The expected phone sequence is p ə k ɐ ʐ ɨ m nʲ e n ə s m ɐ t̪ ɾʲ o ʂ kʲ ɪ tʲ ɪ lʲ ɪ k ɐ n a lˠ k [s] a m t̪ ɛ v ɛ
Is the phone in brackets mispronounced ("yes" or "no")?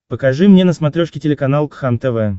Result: yes